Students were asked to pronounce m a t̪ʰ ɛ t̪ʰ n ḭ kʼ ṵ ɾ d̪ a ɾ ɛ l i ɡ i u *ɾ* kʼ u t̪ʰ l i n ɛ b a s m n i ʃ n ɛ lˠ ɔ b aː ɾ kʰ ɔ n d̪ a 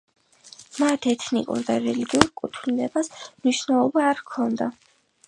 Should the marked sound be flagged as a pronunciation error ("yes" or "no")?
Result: no